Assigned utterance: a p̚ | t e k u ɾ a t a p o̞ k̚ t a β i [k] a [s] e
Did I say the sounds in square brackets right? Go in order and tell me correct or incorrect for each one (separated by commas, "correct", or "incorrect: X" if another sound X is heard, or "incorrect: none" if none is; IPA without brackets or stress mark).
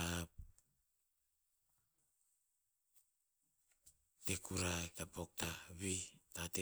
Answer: incorrect: t, incorrect: t